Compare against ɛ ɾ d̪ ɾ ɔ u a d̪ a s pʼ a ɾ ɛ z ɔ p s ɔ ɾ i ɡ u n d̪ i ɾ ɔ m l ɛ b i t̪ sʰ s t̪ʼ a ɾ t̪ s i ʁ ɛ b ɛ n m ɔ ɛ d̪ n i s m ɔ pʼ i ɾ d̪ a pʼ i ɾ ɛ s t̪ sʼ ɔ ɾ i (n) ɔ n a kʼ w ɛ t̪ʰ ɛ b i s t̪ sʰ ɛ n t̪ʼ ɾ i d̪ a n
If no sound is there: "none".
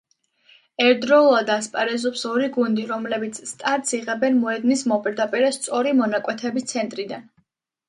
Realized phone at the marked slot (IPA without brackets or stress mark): m